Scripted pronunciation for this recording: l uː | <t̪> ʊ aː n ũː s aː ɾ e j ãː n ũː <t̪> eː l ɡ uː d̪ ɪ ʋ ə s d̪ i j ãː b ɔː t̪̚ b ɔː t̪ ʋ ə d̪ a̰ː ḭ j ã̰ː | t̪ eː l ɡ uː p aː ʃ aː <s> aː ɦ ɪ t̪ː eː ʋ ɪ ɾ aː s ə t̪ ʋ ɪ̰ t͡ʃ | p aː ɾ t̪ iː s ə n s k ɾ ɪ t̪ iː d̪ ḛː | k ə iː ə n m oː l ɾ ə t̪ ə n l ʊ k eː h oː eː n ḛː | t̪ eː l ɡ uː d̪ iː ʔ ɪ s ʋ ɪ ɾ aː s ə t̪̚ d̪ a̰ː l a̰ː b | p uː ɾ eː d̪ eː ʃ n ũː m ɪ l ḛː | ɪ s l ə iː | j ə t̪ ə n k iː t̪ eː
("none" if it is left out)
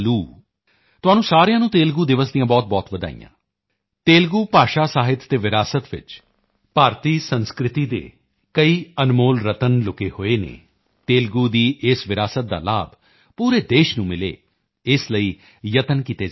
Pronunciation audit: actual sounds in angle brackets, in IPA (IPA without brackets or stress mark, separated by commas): t̪, t̪, s